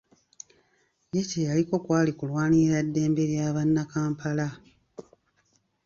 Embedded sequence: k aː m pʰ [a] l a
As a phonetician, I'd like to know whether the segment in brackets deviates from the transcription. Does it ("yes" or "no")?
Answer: no